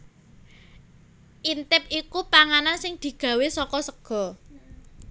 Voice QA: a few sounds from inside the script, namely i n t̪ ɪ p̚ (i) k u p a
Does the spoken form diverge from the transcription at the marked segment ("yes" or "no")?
no